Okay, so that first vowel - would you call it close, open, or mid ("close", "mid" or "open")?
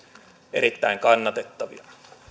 mid